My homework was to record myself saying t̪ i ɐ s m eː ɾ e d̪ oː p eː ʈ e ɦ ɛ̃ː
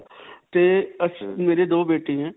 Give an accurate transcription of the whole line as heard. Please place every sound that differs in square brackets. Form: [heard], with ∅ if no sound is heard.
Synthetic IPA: t̪ [e] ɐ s m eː ɾ e d̪ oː [b] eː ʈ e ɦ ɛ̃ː